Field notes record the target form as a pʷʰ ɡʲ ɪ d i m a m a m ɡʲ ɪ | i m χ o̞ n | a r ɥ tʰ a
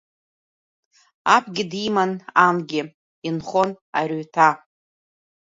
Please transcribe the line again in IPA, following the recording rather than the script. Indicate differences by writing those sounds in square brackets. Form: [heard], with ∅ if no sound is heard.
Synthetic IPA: a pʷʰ ɡʲ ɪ d i m a [n] a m ɡʲ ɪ | i [n] χ o̞ n | a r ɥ tʰ a